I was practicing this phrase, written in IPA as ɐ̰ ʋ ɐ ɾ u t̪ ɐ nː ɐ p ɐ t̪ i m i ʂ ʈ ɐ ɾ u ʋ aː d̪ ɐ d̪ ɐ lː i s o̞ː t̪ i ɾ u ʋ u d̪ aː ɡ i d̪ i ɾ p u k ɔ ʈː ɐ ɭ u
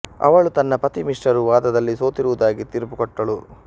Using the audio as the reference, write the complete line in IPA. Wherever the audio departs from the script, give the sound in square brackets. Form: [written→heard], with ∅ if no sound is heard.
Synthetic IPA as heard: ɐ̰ ʋ ɐ [ɾ→ɭ] u t̪ ɐ nː ɐ p ɐ t̪ i m i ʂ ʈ ɐ ɾ u ʋ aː d̪ ɐ d̪ ɐ lː i s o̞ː t̪ i ɾ u ʋ u d̪ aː ɡ i [d̪→t̪] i ɾ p u k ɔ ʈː ɐ ɭ u

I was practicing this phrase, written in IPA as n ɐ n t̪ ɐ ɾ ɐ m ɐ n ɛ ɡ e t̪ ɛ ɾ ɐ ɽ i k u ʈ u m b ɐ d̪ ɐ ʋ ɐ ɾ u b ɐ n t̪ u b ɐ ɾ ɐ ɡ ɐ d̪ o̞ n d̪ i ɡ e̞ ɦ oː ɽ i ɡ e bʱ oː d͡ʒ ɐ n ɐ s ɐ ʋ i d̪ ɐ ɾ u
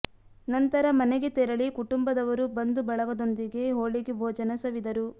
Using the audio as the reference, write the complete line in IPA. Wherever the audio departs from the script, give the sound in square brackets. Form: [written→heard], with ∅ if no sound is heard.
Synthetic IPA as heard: n ɐ n t̪ ɐ ɾ ɐ m ɐ n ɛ ɡ e t̪ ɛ ɾ ɐ [ɽ→ɭ] i k u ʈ u m b ɐ d̪ ɐ ʋ ɐ ɾ u b ɐ n [t̪→d̪] u b ɐ [ɾ→ɭ] ɐ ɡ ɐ d̪ o̞ n d̪ i ɡ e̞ ɦ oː [ɽ→ɭ] i ɡ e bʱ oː d͡ʒ ɐ n ɐ s ɐ ʋ i d̪ ɐ ɾ u

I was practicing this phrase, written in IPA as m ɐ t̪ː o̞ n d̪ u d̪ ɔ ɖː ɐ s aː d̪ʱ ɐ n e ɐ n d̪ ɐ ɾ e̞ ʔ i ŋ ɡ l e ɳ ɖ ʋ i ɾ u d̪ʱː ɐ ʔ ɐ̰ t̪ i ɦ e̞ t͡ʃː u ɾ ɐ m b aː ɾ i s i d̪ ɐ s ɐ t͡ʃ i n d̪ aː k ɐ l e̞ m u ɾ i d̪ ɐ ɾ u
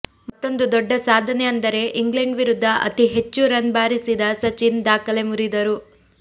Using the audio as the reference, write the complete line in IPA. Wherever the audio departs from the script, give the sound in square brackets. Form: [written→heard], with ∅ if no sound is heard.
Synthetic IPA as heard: m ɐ t̪ː o̞ n d̪ u d̪ ɔ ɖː ɐ s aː d̪ʱ ɐ n e ɐ n d̪ ɐ ɾ e̞ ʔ i ŋ ɡ l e ɳ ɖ ʋ i ɾ u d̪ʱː ɐ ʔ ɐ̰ t̪ i ɦ e̞ t͡ʃː u ɾ ɐ [m→n] b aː ɾ i s i d̪ ɐ s ɐ t͡ʃ i n d̪ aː k ɐ l e̞ m u ɾ i d̪ ɐ ɾ u

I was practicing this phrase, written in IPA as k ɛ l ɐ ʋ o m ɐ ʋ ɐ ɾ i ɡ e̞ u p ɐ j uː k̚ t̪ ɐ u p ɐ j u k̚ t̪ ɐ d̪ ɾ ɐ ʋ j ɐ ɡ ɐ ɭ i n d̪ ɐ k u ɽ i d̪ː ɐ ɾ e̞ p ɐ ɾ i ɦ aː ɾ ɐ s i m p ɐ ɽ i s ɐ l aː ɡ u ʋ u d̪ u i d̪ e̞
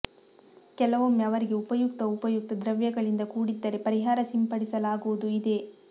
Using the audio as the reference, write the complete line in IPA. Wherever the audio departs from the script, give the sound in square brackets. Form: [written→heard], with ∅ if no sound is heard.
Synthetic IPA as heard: k ɛ l ɐ ʋ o m ɐ ʋ ɐ ɾ i ɡ e̞ u p ɐ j [uː→u] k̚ t̪ ɐ u p ɐ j u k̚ t̪ ɐ d̪ ɾ ɐ ʋ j ɐ ɡ ɐ ɭ i n d̪ ɐ k [u→uː] ɽ i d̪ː ɐ ɾ e̞ p ɐ ɾ i ɦ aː ɾ ɐ s i m p ɐ ɽ i s ɐ l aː ɡ u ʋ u d̪ u i d̪ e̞

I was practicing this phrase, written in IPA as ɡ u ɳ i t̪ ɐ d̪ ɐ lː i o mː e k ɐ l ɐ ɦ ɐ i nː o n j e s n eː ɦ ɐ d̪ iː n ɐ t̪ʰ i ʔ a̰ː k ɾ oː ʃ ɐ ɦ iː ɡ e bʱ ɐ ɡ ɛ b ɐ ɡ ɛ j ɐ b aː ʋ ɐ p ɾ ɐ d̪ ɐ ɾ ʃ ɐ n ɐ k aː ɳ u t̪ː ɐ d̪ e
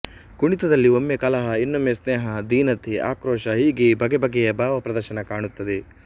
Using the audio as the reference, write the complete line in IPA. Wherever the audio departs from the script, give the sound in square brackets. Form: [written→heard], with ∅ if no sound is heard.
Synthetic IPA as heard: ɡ u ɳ i t̪ ɐ d̪ ɐ lː i o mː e k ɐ l ɐ ɦ ɐ i nː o [n→m] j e s n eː ɦ ɐ d̪ iː n ɐ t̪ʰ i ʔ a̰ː k ɾ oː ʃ ɐ ɦ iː ɡ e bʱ ɐ ɡ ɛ b ɐ ɡ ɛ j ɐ b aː ʋ ɐ p ɾ ɐ d̪ ɐ ɾ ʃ ɐ n ɐ k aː ɳ u t̪ː ɐ d̪ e

